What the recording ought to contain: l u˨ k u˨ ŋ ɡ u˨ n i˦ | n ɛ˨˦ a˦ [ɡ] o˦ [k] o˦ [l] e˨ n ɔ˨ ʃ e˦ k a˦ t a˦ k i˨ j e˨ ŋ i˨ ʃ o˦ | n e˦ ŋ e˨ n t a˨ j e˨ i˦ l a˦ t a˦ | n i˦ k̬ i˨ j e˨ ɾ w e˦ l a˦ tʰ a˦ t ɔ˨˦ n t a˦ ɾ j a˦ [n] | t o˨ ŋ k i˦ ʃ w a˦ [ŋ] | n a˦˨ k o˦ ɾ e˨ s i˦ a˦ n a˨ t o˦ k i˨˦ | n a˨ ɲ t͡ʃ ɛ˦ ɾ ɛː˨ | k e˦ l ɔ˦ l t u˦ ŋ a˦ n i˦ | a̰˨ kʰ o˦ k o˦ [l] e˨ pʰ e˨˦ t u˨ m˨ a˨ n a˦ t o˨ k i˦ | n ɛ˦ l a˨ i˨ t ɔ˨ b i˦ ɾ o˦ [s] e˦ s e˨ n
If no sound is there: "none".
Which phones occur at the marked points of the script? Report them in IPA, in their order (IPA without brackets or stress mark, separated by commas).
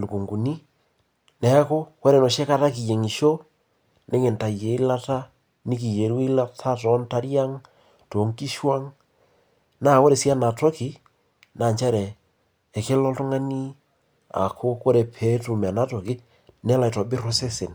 k, k, ɾ, ŋ, ŋ, ɾ, s